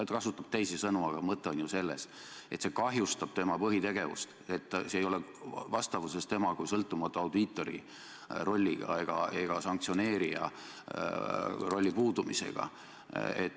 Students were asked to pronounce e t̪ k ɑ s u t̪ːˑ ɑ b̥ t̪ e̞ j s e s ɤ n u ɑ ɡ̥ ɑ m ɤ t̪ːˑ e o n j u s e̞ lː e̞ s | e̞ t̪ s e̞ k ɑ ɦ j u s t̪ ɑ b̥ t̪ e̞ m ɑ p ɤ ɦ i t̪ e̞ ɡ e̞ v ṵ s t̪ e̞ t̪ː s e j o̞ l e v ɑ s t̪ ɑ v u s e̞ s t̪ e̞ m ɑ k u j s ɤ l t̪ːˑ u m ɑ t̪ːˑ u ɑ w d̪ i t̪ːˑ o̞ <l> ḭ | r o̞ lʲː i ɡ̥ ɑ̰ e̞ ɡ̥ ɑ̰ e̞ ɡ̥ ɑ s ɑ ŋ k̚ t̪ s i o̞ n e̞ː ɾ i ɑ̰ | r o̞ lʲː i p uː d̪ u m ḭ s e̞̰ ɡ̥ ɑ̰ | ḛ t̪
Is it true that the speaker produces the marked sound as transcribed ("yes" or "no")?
no